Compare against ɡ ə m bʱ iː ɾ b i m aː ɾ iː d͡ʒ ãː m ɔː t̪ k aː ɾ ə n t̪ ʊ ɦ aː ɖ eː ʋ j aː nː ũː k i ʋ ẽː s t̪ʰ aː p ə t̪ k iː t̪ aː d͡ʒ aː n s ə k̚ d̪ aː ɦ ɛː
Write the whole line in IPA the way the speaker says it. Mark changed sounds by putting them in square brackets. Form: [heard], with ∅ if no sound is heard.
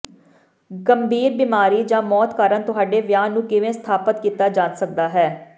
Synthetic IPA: ɡ ə m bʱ iː ɾ b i m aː ɾ iː d͡ʒ ãː m ɔː t̪ k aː ɾ ə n t̪ ʊ ɦ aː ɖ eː ʋ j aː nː ũː k [ɪ] ʋ ẽː s t̪ʰ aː p ə t̪ k iː t̪ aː d͡ʒ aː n s ə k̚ d̪ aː ɦ ɛː